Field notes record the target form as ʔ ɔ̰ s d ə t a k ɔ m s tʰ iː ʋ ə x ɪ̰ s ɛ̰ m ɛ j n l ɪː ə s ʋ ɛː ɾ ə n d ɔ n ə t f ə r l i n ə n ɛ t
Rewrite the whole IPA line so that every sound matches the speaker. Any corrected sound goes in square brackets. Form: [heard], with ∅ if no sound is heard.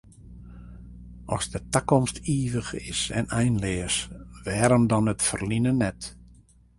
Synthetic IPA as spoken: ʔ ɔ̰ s d ə t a k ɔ m s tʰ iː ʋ ə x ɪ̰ s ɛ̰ [n] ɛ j n l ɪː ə s ʋ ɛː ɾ ə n d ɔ n ə t f ə r l i n ə n ɛ t